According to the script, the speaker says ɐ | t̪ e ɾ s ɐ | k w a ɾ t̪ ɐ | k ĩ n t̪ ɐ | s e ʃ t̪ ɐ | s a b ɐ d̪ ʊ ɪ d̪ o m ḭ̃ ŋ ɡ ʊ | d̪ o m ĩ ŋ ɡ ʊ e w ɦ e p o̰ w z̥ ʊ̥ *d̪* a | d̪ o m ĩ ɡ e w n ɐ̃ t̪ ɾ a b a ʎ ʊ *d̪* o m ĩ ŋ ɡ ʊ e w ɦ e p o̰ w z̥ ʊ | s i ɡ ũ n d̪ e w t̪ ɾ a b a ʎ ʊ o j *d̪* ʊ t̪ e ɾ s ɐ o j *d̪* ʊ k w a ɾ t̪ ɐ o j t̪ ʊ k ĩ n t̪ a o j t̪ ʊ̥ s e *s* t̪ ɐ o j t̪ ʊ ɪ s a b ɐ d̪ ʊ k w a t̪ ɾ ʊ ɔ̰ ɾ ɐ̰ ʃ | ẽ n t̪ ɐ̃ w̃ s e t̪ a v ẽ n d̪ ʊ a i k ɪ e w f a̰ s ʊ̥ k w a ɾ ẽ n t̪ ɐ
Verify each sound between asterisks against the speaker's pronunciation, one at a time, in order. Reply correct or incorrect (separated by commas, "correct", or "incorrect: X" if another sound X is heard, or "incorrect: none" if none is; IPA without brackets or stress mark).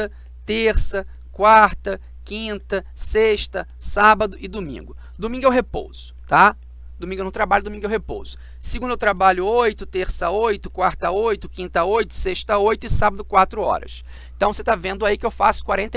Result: incorrect: t̪, correct, incorrect: t̪, incorrect: t̪, incorrect: ʃ